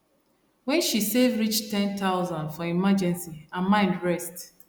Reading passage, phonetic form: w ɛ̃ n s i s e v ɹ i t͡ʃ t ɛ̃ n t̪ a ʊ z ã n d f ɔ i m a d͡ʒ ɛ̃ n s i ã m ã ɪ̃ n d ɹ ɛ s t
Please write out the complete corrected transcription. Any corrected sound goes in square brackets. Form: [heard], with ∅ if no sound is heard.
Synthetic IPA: w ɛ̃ n [ʃ] i s e v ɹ i t͡ʃ t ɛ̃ n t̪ a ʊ z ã n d f ɔ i m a d͡ʒ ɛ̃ n s i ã m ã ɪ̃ n d ɹ ɛ s t